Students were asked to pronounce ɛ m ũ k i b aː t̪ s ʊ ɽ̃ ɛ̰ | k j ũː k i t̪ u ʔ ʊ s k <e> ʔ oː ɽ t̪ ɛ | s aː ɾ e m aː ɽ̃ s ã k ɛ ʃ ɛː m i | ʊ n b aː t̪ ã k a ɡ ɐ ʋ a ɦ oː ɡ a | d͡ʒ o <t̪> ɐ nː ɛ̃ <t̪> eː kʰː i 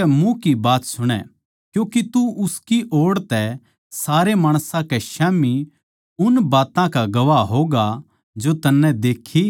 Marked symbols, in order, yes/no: no, yes, no

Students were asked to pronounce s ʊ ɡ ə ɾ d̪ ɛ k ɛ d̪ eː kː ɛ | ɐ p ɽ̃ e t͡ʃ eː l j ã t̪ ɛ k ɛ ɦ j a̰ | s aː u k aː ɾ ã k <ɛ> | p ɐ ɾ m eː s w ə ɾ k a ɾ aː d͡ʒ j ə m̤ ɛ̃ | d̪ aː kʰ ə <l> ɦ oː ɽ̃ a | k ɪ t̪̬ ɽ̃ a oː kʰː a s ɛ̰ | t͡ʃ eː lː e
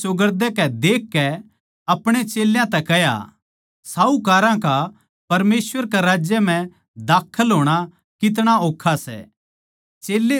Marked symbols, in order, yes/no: no, yes

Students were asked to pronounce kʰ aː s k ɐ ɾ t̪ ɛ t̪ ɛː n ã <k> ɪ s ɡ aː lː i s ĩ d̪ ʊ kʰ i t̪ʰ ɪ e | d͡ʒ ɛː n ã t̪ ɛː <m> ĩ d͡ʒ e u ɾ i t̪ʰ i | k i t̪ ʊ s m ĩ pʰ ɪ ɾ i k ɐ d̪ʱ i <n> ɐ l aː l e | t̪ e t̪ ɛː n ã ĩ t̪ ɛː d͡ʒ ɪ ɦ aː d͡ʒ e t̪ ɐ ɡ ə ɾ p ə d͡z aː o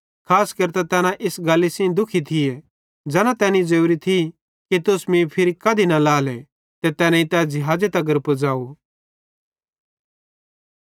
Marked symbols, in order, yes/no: no, no, yes

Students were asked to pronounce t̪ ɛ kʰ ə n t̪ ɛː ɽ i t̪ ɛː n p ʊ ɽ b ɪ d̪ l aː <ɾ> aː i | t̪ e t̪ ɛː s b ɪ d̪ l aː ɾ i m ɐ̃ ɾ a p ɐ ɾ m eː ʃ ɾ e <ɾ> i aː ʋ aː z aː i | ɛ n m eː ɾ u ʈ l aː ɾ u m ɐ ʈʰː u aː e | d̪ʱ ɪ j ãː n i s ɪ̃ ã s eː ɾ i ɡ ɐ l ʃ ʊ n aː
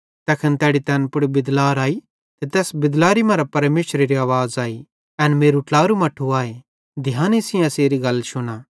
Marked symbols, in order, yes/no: yes, yes

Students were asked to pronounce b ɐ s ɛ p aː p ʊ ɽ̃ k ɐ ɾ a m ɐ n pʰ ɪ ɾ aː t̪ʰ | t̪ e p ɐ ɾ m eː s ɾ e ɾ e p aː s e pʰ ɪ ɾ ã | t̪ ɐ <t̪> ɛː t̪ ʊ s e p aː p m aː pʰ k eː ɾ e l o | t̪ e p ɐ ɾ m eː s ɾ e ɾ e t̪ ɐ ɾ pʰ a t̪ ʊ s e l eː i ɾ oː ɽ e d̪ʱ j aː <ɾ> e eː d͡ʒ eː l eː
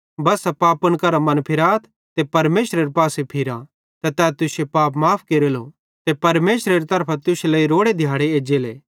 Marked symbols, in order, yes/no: yes, no

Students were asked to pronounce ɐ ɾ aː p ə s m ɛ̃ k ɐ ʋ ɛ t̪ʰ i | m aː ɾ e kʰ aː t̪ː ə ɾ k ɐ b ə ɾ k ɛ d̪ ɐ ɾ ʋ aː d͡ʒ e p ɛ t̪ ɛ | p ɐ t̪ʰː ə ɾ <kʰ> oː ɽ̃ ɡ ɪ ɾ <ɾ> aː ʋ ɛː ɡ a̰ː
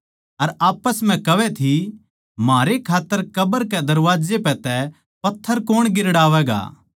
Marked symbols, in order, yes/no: no, no

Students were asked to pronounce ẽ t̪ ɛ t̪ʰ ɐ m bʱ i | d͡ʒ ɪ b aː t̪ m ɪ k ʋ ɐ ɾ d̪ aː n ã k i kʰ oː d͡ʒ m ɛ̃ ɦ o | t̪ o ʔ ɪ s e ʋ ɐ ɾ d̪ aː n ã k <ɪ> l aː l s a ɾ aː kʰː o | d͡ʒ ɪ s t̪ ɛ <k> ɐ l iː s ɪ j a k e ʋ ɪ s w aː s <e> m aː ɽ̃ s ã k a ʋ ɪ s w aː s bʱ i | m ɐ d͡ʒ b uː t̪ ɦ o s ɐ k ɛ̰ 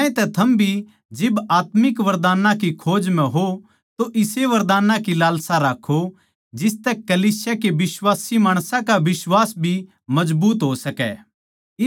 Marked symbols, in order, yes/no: no, yes, no

